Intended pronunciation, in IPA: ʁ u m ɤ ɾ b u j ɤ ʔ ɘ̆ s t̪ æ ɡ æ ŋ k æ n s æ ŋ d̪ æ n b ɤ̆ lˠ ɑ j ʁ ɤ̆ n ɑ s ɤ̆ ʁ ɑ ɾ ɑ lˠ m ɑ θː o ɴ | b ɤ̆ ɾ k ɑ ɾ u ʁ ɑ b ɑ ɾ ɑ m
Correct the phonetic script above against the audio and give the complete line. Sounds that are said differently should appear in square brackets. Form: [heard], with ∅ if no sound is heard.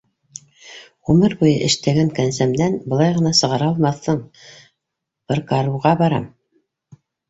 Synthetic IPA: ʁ u m ɤ ɾ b u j ɤ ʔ ɘ̆ [ʃ] t̪ æ ɡ æ ŋ k æ n s æ [m] d̪ æ n b ɤ̆ lˠ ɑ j ʁ ɤ̆ n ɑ s ɤ̆ ʁ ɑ ɾ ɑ lˠ m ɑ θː [ɤ] ɴ | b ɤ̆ ɾ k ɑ ɾ u ʁ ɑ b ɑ ɾ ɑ m